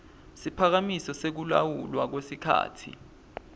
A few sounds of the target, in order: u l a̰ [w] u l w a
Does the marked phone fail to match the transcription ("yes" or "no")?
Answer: no